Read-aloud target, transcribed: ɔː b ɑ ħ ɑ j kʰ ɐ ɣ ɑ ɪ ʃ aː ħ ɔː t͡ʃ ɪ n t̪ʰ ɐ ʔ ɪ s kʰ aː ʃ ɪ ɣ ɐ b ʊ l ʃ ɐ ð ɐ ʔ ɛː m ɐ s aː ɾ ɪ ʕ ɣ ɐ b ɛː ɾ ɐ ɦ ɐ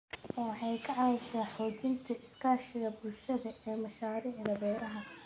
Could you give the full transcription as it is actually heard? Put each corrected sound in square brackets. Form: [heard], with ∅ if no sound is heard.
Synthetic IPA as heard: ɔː [w] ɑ ħ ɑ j kʰ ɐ [ʕ] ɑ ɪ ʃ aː ħ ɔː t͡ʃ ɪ n t̪ʰ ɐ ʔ ɪ s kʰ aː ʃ ɪ ɣ ɐ b ʊ l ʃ ɐ ð ɐ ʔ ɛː m ɐ [ʃ] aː ɾ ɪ ʕ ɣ ɐ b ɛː ɾ ɐ ɦ ɐ